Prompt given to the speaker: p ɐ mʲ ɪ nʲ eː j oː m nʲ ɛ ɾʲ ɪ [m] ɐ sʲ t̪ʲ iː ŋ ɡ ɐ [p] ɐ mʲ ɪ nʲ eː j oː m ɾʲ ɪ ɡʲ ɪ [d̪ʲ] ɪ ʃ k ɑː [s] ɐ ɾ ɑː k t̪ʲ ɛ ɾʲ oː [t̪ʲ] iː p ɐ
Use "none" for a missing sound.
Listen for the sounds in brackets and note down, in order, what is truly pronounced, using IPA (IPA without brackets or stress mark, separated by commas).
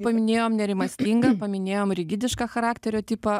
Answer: m, p, d̪ʲ, x, t̪ʲ